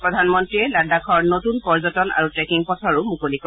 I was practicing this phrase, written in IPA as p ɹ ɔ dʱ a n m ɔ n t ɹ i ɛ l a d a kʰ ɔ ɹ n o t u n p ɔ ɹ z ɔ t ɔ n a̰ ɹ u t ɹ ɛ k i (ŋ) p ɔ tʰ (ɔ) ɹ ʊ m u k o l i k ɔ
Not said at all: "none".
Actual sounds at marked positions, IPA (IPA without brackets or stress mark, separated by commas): ŋ, ɔ